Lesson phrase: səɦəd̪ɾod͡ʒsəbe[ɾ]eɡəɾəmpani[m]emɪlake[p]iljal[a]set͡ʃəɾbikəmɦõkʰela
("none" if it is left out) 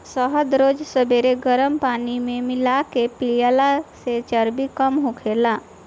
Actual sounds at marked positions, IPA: ɾ, m, p, a

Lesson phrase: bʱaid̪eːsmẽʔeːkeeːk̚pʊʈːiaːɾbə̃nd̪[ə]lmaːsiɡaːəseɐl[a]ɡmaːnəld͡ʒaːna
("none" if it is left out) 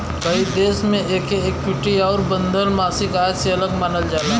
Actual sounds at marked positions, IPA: ə, ə

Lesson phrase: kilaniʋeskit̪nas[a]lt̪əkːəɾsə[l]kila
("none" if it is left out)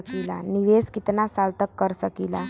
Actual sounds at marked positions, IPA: a, none

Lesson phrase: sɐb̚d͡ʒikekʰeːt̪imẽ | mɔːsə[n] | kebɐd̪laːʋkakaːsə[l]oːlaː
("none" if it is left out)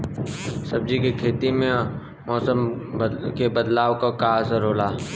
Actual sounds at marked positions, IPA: m, ɾ

